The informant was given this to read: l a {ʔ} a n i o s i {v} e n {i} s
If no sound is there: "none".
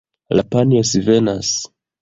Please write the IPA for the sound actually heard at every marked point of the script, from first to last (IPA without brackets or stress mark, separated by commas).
p, v, a